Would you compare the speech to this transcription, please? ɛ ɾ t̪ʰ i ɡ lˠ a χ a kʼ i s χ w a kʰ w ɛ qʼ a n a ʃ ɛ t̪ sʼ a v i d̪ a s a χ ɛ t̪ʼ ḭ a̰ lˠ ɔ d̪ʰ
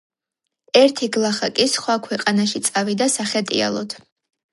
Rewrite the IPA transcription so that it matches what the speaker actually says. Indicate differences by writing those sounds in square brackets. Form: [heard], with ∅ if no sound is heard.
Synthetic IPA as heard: ɛ ɾ t̪ʰ i ɡ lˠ a χ a kʼ i s χ w a kʰ w ɛ qʼ a n a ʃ [i] t̪ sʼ a v i d̪ a s a χ ɛ t̪ʼ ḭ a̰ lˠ ɔ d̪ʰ

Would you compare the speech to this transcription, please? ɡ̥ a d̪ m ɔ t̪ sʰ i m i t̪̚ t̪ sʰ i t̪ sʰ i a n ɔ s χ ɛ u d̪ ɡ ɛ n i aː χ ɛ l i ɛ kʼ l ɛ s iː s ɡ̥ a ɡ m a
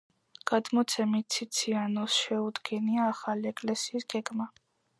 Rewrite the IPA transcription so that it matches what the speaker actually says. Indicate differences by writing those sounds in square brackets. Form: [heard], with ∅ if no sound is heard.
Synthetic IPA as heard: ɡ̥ a d̪ m ɔ t̪ sʰ [ɛ] m i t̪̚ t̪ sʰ i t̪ sʰ i a n ɔ s [ʃ] ɛ u d̪ ɡ ɛ n i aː χ [a] l i ɛ kʼ l ɛ s iː s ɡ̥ [ɛ] ɡ m a

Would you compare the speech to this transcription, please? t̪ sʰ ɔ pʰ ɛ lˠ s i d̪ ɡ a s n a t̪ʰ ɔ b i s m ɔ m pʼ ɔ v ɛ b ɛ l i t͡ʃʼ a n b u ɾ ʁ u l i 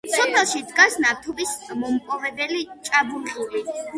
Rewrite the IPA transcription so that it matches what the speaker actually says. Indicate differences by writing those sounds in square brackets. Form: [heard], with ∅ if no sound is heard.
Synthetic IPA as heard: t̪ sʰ ɔ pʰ ɛ lˠ [ʃ] i d̪ ɡ a s n a t̪ʰ ɔ b i s m ɔ m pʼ ɔ v ɛ b ɛ l i t͡ʃʼ a [∅] b u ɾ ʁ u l i

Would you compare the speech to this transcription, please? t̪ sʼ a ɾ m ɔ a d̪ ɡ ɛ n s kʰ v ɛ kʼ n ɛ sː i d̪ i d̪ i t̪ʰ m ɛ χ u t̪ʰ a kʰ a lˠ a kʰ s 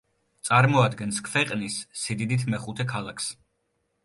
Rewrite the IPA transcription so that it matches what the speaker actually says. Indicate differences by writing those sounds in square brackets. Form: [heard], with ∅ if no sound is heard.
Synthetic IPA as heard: t̪ sʼ a ɾ m ɔ a d̪ ɡ ɛ n s kʰ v ɛ [qʼ] n [i] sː i d̪ i d̪ i t̪ʰ m ɛ χ u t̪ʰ [ɛ] kʰ a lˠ a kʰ s

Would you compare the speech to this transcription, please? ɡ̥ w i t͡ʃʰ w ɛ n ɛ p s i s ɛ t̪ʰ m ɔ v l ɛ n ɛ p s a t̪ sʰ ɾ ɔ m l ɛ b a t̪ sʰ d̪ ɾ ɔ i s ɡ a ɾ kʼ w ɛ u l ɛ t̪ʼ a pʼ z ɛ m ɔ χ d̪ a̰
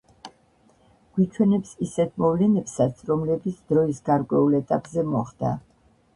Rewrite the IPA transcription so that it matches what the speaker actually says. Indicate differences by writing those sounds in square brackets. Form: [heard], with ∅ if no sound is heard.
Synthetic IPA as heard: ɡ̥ w i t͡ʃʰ w ɛ n ɛ p s i s ɛ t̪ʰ m ɔ v l ɛ n ɛ p s a t̪ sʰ ɾ ɔ m l ɛ b [i] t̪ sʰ d̪ ɾ ɔ i s ɡ a ɾ kʼ w ɛ u l ɛ t̪ʼ a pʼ z ɛ m ɔ χ d̪ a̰

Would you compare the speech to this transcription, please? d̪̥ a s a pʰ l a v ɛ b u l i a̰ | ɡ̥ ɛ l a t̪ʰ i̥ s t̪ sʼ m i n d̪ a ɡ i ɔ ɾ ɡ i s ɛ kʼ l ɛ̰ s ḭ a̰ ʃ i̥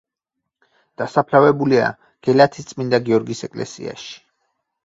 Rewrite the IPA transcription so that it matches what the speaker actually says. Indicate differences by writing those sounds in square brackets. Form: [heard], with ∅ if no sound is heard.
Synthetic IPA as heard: d̪̥ a s a pʰ l a v ɛ b u l i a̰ | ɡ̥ ɛ l a t̪ʰ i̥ s t̪ sʼ m i n d̪ a ɡ i ɔ ɾ ɡ i s ɛ kʼ l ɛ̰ s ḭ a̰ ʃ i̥

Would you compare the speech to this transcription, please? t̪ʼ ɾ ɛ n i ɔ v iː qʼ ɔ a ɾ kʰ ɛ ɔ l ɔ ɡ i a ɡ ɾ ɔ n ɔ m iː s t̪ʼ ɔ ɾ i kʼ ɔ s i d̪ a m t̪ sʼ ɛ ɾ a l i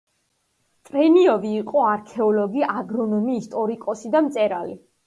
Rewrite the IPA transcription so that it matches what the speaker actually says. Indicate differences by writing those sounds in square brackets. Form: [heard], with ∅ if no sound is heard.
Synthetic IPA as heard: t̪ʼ ɾ ɛ n i ɔ v iː qʼ ɔ a ɾ kʰ ɛ ɔ l ɔ ɡ i a ɡ ɾ ɔ n ɔ m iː s t̪ʼ ɔ ɾ i kʼ ɔ s i d̪ a m t̪ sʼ ɛ ɾ a l i

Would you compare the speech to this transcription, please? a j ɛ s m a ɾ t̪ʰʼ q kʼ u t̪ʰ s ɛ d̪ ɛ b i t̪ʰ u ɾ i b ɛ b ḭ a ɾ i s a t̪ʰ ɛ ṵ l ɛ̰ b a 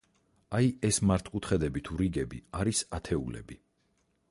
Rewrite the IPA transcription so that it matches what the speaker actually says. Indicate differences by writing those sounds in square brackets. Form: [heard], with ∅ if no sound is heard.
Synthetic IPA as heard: a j ɛ s m a ɾ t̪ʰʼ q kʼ u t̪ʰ [χ] ɛ d̪ ɛ b i t̪ʰ u ɾ i [ɡ] ɛ b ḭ a ɾ i s a t̪ʰ ɛ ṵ l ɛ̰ b [i]

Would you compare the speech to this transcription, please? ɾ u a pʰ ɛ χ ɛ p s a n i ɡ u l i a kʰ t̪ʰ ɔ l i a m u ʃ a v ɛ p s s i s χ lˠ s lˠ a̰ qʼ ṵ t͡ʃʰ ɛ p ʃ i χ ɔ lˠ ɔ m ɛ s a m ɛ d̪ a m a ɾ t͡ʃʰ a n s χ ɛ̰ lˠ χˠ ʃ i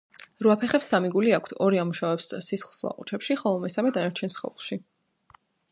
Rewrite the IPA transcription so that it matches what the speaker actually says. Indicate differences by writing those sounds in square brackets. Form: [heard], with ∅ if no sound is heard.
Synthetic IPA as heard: ɾ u a pʰ ɛ χ ɛ p s a [m] i ɡ u l i a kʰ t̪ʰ ɔ [ɾ] i a m u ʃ a v ɛ p s s i s χ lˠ s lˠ a̰ qʼ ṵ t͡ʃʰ ɛ p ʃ i χ ɔ lˠ ɔ m ɛ s a m ɛ d̪ a [n] a ɾ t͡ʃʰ [ɛ] n s χ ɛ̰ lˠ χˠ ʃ i

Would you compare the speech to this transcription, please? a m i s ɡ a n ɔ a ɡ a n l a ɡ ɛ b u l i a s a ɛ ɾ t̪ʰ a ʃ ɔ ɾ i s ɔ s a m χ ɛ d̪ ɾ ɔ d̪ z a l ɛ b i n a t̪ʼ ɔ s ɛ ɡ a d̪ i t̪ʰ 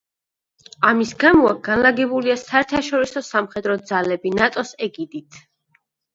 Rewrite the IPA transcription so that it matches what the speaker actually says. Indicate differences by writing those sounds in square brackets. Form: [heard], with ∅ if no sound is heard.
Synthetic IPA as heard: a m i s ɡ a [m] ɔ a ɡ a n l a ɡ ɛ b u l i a s a ɛ ɾ t̪ʰ a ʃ ɔ ɾ i s ɔ s a m χ ɛ d̪ ɾ ɔ d̪ z a l ɛ b i n a t̪ʼ ɔ s ɛ ɡ [i] d̪ i t̪ʰ

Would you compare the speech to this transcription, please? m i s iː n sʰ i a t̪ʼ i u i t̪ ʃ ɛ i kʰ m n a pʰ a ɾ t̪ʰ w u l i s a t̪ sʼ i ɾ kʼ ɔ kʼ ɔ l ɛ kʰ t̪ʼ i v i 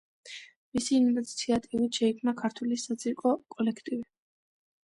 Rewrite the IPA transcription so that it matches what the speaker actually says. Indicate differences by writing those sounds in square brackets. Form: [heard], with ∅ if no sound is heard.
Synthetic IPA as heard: m i s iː n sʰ i a t̪ʼ i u i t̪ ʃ ɛ i kʰ m n a [kʰ] a ɾ t̪ʰ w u l i s a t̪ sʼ i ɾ kʼ ɔ kʼ ɔ l ɛ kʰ t̪ʼ i v i

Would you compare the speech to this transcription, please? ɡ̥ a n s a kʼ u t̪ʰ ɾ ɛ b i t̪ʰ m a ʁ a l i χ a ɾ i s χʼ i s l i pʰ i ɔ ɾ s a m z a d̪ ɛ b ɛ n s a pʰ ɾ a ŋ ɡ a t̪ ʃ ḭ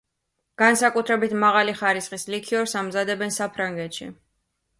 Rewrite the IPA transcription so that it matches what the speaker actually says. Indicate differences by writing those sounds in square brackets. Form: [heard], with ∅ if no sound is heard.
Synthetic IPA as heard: ɡ̥ a n s a kʼ u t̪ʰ ɾ ɛ b i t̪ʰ m a ʁ a l i χ a ɾ i s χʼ i s l i [kʰ] i ɔ ɾ s a m z a d̪ ɛ b ɛ n s a pʰ ɾ a ŋ ɡ [ɛ] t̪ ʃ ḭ

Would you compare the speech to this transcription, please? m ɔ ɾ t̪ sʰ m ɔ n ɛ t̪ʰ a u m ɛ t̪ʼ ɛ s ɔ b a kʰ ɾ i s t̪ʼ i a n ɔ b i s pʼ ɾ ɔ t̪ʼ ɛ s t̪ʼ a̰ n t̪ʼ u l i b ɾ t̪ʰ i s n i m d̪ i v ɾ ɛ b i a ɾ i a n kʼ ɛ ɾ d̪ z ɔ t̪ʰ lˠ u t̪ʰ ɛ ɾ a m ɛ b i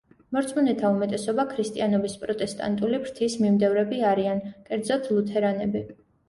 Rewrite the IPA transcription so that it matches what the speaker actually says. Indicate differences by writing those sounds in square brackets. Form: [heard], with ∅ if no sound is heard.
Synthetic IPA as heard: m ɔ ɾ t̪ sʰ m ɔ n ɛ t̪ʰ a u m ɛ t̪ʼ ɛ s ɔ b a kʰ ɾ i s t̪ʼ i a n ɔ b i s pʼ ɾ ɔ t̪ʼ ɛ s t̪ʼ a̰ n t̪ʼ u l i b ɾ t̪ʰ i s [m] i m d̪ [ɛ] v ɾ ɛ b i a ɾ i a n kʼ ɛ ɾ d̪ z ɔ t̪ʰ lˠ u t̪ʰ ɛ ɾ a [n] ɛ b i

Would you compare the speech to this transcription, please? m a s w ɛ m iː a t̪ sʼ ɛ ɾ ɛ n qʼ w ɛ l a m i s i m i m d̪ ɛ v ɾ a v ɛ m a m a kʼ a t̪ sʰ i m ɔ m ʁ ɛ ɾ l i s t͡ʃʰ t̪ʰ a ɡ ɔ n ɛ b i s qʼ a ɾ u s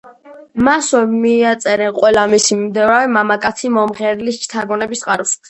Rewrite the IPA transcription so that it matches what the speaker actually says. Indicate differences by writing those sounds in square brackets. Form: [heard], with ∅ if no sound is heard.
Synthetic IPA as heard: m a s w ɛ m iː a t̪ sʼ ɛ ɾ ɛ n qʼ w ɛ l a m i s i m i m d̪ ɛ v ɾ a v ɛ m a m a kʼ a t̪ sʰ i m ɔ m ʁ ɛ ɾ l i s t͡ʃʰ t̪ʰ a ɡ ɔ n ɛ b i s qʼ a ɾ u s

